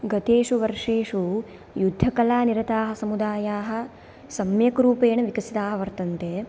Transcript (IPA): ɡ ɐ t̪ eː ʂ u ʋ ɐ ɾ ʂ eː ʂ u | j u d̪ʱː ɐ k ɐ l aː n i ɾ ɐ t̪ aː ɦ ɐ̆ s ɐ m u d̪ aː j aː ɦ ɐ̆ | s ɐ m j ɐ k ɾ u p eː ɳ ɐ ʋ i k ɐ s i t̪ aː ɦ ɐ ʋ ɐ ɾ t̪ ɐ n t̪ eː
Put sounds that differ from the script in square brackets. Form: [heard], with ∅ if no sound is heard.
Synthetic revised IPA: ɡ ɐ t̪ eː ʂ u ʋ ɐ ɾ ʂ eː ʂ u | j u d̪ʱː ɐ k ɐ l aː n i ɾ ɐ t̪ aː ɦ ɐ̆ s ɐ m u d̪ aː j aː ɦ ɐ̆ | s ɐ m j ɐ k ɾ [uː] p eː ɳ ɐ ʋ i k ɐ s i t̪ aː ɦ ɐ ʋ ɐ ɾ t̪ ɐ n t̪ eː